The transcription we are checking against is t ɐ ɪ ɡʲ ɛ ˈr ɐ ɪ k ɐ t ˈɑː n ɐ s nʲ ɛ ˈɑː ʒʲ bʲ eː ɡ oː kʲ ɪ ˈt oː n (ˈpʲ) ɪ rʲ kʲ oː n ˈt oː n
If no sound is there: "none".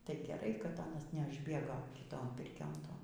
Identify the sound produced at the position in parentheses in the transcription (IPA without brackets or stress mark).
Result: pʲ